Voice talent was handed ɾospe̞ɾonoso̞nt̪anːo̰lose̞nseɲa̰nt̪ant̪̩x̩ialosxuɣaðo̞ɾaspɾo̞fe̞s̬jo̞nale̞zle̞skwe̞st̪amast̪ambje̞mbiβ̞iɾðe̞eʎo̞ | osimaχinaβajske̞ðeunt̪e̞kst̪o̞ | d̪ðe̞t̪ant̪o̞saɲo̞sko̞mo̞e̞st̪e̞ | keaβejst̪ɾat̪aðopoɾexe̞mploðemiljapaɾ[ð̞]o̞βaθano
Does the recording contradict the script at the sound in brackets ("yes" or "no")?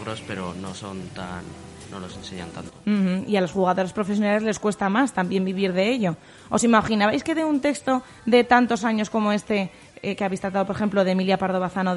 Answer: no